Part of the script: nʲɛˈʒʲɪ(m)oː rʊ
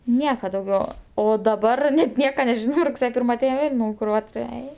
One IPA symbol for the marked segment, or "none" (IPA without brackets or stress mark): n